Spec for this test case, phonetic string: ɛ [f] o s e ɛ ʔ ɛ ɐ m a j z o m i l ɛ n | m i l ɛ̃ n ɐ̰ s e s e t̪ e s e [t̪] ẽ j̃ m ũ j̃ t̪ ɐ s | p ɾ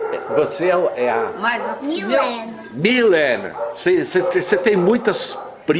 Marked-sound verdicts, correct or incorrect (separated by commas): incorrect, correct